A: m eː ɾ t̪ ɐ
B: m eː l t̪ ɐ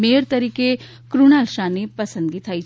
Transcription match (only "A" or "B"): A